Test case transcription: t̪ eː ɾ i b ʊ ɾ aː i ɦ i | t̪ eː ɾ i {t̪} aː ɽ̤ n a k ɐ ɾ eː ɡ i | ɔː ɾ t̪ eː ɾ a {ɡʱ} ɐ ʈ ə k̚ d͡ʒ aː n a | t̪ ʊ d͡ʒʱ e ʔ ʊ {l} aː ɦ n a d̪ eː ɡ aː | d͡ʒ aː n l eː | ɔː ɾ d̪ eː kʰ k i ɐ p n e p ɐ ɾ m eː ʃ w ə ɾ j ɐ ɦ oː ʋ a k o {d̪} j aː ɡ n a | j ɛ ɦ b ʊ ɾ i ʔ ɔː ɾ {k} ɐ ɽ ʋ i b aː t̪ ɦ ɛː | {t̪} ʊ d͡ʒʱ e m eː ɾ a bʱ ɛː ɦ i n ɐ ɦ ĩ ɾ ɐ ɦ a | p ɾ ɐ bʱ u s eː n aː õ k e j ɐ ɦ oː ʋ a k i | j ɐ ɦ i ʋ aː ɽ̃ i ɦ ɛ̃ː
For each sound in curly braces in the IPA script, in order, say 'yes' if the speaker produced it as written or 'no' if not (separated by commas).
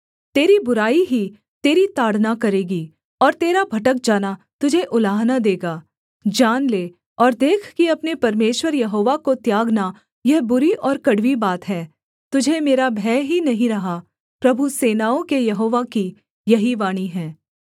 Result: yes, no, yes, no, yes, yes